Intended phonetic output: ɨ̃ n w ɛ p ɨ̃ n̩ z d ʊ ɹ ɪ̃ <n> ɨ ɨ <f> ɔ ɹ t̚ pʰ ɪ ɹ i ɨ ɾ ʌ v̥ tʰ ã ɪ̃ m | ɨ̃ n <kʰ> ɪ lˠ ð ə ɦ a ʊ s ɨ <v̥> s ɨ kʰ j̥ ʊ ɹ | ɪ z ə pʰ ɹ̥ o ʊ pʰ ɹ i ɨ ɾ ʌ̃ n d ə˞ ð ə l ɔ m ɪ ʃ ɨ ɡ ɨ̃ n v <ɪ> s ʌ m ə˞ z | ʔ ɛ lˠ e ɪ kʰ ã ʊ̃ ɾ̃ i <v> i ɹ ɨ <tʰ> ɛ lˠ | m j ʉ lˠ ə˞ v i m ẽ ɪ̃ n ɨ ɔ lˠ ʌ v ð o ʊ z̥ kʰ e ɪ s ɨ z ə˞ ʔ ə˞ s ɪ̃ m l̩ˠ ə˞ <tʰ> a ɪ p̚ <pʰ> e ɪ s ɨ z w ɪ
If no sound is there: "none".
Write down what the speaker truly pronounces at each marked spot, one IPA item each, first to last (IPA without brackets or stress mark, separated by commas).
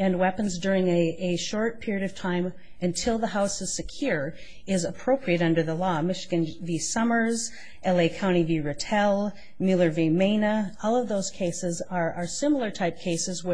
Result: ŋ, ʃ, tʰ, z̥, i, v, tʰ, tʰ, kʰ